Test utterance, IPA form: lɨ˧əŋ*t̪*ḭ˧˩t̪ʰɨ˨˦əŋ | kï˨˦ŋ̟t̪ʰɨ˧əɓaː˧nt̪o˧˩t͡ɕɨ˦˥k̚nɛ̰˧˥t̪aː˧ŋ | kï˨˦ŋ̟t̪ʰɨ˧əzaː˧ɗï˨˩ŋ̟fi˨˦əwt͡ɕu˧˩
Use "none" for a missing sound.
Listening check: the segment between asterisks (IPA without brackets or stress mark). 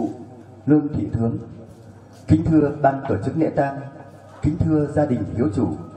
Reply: t̪ʰ